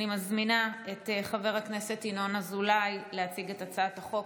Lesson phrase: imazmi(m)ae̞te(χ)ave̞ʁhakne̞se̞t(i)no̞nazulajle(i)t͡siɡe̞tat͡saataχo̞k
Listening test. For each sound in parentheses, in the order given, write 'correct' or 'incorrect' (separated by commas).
incorrect, correct, correct, incorrect